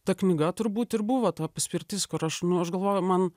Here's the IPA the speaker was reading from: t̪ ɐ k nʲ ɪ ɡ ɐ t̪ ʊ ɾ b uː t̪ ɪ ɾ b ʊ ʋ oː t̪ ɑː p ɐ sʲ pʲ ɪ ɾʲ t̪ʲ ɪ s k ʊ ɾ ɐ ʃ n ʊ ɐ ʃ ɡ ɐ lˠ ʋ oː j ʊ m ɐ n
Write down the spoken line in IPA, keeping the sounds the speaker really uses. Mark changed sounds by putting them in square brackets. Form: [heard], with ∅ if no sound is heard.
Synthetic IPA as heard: t̪ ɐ k nʲ ɪ ɡ ɐ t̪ ʊ ɾ b uː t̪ ɪ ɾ b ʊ ʋ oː t̪ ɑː p ɐ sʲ pʲ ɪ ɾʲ t̪ʲ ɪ s k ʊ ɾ ɐ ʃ n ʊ ɐ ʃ ɡ ɐ lˠ ʋ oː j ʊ m ɐ n